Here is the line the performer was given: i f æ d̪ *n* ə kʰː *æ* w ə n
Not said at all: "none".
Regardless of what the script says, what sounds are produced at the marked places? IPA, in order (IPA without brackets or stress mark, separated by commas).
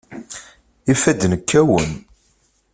n, æ